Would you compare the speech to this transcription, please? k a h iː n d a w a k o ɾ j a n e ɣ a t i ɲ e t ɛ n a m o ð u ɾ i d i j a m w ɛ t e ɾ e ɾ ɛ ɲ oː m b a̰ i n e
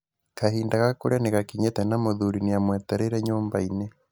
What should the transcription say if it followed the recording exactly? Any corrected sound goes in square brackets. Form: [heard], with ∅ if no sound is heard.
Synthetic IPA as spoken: k a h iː n d a [ɣ] a k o ɾ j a n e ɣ a [k] i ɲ e t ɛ n a m o ð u ɾ i [n] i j a m w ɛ t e ɾ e ɾ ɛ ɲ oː m b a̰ i n e